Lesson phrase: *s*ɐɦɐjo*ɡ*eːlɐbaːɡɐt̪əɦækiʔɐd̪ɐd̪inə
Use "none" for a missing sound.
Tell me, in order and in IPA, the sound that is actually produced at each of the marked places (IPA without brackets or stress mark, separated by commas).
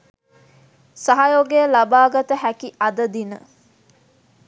s, ɡ